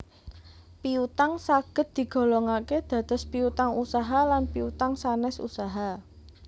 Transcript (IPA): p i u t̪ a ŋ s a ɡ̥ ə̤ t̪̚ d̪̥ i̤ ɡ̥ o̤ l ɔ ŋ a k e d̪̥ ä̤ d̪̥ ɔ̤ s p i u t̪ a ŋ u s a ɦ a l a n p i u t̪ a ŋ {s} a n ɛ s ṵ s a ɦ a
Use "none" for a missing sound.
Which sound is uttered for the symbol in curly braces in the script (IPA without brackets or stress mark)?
s